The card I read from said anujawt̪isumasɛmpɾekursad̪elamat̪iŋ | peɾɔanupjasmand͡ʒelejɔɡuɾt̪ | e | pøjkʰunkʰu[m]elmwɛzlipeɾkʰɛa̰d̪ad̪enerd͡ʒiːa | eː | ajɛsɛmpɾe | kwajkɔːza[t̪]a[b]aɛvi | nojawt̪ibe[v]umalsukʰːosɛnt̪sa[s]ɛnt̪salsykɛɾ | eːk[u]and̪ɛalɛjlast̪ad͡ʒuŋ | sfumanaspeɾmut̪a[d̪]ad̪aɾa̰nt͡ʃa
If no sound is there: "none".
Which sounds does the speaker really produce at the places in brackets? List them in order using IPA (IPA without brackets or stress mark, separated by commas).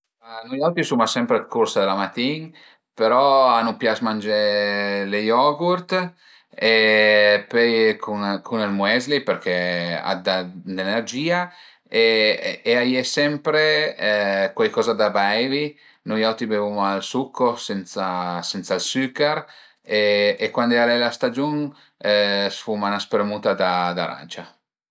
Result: n, d̪, b, v, s, w, d̪